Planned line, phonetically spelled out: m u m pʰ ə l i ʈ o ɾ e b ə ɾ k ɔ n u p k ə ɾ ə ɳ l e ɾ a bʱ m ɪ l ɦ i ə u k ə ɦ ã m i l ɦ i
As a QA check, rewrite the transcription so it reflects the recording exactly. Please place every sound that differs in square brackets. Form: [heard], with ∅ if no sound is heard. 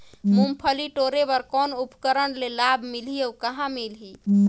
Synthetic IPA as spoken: m u m pʰ ə l i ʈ o ɾ e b ə ɾ k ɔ n u p k ə ɾ ə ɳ l e [l] a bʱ m [i] l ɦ i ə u k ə ɦ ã m i l ɦ i